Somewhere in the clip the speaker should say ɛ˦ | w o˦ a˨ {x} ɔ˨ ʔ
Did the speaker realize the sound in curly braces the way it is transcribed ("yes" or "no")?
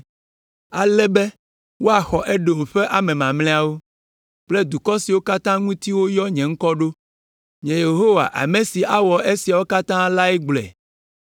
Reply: yes